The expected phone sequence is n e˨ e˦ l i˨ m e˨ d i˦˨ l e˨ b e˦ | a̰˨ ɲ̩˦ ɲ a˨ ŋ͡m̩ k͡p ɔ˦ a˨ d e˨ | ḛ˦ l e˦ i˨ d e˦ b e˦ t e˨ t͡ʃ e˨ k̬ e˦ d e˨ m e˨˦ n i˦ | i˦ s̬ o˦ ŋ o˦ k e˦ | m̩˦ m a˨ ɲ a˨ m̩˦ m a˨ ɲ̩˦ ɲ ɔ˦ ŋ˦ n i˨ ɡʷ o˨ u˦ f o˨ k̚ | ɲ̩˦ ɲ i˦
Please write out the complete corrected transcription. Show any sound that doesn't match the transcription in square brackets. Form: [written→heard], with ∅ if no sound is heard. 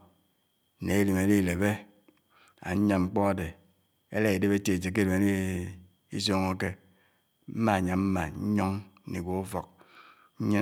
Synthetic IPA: n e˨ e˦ l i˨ m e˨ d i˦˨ l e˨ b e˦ | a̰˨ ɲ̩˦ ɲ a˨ ŋ͡m̩ k͡p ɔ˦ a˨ d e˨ | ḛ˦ l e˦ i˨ d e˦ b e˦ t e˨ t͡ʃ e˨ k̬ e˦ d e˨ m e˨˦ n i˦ | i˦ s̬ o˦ ŋ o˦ k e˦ | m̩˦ m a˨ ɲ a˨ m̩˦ m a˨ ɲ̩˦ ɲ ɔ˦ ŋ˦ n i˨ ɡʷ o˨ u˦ f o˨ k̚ | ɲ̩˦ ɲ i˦